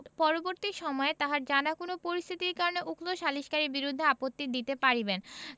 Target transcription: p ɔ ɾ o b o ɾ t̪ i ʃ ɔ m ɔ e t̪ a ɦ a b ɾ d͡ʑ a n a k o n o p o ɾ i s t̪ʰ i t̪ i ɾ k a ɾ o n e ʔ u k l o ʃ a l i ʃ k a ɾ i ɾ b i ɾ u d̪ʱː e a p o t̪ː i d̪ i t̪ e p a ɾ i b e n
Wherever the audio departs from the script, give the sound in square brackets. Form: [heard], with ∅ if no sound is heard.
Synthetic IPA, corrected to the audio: p ɔ ɾ o b o ɾ t̪ i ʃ ɔ m ɔ e t̪ a ɦ a [∅] ɾ d͡ʑ a n a k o n o p o ɾ i s t̪ʰ i t̪ i ɾ k a ɾ o n e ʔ u k l o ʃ a l i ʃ k a ɾ i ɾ b i ɾ u d̪ʱː e a p o t̪ː i d̪ i t̪ e p a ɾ i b e n